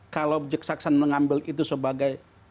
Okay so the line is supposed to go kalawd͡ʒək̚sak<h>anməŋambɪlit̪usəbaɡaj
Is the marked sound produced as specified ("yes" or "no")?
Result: no